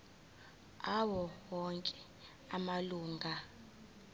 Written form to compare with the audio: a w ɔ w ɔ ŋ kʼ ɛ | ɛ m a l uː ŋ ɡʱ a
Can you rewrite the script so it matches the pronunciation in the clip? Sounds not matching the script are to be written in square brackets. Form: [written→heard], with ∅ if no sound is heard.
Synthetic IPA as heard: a w ɔ w ɔ ŋ kʼ ɛ | [ɛ→a] m a l uː ŋ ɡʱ a

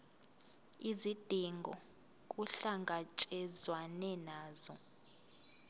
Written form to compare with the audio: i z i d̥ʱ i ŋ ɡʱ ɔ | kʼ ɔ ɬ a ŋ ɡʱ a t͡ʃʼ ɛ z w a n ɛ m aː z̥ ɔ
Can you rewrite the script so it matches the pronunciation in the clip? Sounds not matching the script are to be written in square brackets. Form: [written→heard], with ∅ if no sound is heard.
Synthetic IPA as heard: i z i d̥ʱ i ŋ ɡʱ ɔ | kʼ [ɔ→u] ɬ a ŋ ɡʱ a t͡ʃʼ ɛ z w a n ɛ [m→n] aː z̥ ɔ

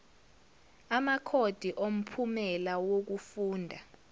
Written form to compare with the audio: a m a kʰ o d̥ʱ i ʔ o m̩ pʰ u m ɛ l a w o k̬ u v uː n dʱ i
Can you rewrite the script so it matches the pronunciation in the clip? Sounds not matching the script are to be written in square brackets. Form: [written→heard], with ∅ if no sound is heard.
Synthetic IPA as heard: a m a kʰ o d̥ʱ i ʔ o m̩ pʰ u m ɛ l a w o k̬ u [v→f] uː n dʱ [i→a]

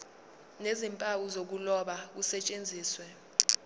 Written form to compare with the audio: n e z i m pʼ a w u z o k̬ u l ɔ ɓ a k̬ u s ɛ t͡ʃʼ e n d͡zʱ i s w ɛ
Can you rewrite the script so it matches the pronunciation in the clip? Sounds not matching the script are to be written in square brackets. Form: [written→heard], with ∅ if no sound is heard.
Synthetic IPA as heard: n e z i m pʼ a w u z o k̬ u l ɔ ɓ a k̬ u s ɛ t͡ʃʼ e n d͡zʱ [i→iː] s w ɛ

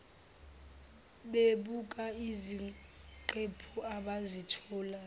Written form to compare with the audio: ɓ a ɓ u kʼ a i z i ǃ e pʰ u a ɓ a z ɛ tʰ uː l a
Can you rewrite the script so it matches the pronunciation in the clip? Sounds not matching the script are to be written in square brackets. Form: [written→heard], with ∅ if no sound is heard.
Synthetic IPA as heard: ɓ [a→e] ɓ u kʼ a i z i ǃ e pʰ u a ɓ a z [ɛ→i] tʰ [uː→ɔː] l a

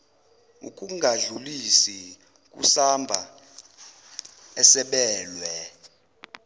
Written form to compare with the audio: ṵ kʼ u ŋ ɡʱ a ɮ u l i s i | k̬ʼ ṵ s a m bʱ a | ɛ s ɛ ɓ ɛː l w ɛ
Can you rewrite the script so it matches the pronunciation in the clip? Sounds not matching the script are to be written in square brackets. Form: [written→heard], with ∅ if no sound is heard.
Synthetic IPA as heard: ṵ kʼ u ŋ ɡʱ a ɮ u l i s i | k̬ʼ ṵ s a m bʱ a | ɛ s ɛ ɓ ɛː l w ɛ

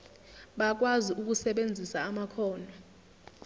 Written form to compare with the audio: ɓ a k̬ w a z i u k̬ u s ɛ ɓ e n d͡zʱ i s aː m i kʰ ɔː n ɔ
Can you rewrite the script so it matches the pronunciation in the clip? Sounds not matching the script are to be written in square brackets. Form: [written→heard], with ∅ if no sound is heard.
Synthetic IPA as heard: ɓ a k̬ w a z i u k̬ u s ɛ ɓ e n d͡zʱ i s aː m [i→a] kʰ ɔː n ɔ

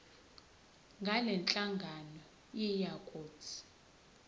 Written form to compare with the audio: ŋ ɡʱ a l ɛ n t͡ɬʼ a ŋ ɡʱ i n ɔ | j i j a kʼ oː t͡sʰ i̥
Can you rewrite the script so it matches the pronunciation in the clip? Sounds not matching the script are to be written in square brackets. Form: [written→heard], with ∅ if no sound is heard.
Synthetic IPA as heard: ŋ ɡʱ a l ɛ n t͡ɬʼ a ŋ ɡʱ [i→a] n ɔ | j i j a kʼ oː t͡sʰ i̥

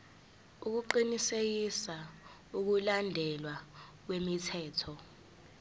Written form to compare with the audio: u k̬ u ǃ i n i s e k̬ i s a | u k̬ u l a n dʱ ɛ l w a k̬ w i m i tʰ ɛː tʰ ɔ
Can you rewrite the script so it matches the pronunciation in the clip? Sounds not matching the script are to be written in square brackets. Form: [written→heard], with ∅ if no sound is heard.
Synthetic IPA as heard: u k̬ u ǃ i n i s e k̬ i s a | u k̬ u l a n dʱ ɛ l w a k̬ w [i→e] m i tʰ ɛː tʰ ɔ

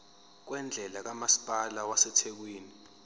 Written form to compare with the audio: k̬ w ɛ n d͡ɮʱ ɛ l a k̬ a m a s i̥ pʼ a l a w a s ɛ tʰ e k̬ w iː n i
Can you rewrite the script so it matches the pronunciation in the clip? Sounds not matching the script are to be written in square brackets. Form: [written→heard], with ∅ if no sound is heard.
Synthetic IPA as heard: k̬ w ɛ n d͡ɮʱ ɛ l a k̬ a m a s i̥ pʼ a l a w a s ɛ tʰ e k̬ w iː n i

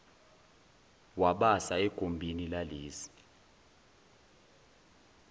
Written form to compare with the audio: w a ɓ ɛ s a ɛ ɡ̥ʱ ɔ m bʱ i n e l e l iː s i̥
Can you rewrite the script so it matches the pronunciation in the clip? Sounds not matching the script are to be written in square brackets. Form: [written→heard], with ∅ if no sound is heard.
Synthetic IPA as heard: w a ɓ [ɛ→a] s a ɛ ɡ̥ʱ [ɔ→o] m bʱ i n [e→i] l [e→a] l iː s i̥

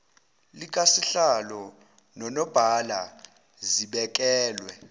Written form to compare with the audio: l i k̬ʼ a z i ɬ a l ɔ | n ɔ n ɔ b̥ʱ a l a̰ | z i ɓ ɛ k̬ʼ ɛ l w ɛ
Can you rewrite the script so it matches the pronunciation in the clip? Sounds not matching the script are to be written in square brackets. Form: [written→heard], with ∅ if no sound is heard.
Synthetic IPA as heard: l i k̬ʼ a [z→s] i ɬ a l ɔ | n ɔ n ɔ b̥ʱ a l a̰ | z i ɓ ɛ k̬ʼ [ɛ→ɛː] l w ɛ

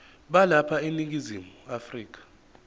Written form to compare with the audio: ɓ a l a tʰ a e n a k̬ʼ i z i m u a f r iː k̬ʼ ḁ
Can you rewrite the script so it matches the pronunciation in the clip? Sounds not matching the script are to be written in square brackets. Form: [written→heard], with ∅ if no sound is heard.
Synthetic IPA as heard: ɓ a l a [tʰ→pʰ] a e n [a→i] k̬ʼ i z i m u a f r iː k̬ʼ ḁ

